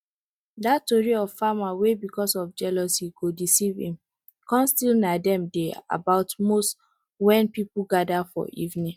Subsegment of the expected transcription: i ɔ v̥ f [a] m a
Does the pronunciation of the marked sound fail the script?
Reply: no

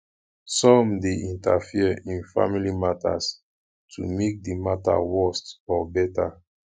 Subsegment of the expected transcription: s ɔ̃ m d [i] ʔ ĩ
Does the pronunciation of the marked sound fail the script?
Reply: yes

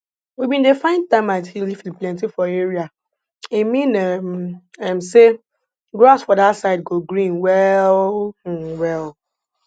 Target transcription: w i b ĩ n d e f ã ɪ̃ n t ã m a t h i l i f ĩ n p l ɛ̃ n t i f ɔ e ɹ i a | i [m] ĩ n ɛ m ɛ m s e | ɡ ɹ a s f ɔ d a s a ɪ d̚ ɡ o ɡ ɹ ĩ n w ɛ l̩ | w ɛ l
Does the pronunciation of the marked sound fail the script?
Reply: no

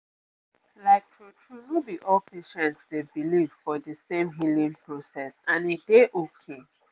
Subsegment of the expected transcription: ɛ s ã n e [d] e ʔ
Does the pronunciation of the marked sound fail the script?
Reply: no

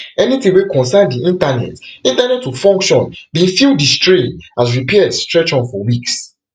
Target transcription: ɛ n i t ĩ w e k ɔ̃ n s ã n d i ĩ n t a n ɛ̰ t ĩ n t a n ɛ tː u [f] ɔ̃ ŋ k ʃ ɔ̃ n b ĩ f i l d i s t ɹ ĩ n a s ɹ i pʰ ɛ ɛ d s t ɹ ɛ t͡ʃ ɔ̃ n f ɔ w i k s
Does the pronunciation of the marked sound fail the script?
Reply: no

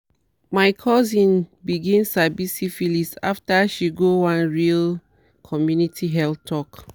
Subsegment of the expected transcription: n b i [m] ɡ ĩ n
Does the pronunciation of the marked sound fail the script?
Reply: yes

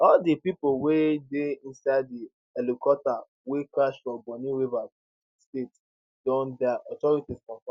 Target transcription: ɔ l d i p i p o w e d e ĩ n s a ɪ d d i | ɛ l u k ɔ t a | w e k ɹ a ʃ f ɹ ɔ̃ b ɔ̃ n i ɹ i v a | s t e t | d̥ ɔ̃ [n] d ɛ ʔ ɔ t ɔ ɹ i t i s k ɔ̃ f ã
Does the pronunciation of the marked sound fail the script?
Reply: no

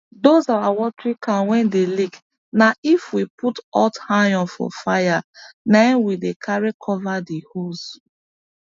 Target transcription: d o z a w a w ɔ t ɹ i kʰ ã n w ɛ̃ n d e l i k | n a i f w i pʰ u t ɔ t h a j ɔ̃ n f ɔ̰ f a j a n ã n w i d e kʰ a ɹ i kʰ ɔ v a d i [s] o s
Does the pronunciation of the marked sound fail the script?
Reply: yes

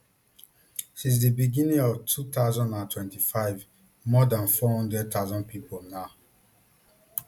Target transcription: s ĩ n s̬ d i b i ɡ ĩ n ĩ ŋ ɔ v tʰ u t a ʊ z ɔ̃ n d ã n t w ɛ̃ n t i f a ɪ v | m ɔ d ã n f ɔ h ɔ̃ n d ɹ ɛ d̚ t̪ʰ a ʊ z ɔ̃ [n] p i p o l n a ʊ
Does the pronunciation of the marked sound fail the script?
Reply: no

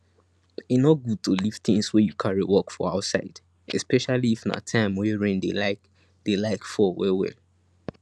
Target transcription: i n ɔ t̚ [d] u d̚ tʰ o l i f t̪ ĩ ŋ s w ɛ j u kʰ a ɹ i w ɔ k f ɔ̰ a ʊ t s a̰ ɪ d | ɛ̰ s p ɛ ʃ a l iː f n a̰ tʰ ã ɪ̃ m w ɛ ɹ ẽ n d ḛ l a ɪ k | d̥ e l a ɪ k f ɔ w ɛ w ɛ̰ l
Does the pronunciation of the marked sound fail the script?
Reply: yes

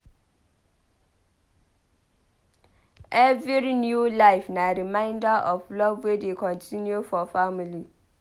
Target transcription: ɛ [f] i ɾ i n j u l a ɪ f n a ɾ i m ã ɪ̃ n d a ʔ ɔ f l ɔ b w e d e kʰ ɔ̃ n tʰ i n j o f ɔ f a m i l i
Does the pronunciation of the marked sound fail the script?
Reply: yes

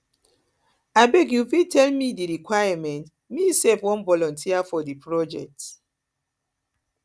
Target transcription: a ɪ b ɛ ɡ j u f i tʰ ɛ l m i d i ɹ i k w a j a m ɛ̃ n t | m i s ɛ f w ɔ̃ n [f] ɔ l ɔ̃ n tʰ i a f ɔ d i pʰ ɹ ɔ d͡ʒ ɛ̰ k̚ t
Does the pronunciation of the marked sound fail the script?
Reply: yes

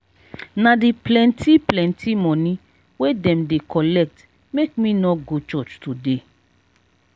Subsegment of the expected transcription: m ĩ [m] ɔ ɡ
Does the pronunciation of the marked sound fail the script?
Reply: yes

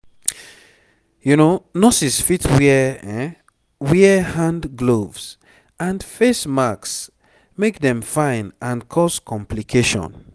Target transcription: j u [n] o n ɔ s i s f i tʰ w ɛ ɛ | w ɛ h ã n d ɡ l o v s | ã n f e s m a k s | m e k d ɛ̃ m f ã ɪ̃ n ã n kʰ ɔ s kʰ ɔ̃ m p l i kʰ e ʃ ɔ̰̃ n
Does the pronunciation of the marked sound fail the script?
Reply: no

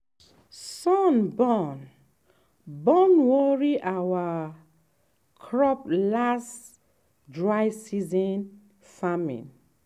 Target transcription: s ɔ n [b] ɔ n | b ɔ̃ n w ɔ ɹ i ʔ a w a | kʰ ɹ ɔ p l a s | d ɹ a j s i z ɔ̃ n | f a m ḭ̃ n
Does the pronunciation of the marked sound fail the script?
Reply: no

